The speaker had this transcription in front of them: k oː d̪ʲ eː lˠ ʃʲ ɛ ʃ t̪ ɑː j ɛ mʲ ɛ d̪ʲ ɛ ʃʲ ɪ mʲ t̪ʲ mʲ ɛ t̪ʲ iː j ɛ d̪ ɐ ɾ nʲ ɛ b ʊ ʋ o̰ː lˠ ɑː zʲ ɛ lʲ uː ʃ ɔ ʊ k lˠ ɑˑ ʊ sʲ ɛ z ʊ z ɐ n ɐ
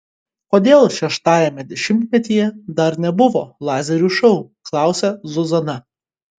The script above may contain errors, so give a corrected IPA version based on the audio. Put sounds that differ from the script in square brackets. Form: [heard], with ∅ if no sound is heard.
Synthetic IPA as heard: k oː d̪ʲ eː lˠ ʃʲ ɛ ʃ t̪ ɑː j ɛ mʲ ɛ d̪ʲ ɛ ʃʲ ɪ mʲ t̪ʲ mʲ ɛ t̪ʲ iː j ɛ d̪ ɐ ɾ nʲ ɛ b ʊ ʋ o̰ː lˠ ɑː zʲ ɛ [ɾʲ] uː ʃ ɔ ʊ k lˠ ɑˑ ʊ sʲ ɛ z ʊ z ɐ n ɐ